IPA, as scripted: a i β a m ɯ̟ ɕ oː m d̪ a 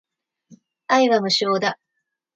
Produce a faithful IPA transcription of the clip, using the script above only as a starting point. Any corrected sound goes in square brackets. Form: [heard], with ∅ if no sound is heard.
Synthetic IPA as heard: a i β a m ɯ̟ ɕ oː [∅] d̪ a